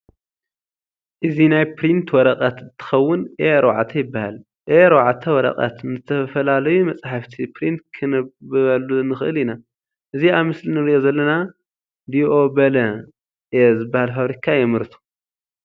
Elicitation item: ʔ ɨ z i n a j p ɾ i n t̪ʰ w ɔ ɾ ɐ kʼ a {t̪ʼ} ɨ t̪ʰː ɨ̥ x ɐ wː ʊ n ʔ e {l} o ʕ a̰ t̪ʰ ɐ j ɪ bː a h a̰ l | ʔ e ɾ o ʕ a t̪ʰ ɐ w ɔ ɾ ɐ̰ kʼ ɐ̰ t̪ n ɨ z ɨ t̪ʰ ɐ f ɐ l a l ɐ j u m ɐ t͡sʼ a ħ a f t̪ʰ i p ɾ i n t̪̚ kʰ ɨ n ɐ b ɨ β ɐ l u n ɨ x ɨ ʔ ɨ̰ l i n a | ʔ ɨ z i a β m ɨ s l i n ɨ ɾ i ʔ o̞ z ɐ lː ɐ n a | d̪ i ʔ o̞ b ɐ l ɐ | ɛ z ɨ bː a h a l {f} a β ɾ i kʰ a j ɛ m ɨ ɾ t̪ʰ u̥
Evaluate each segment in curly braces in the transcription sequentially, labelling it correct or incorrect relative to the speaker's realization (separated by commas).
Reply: incorrect, incorrect, correct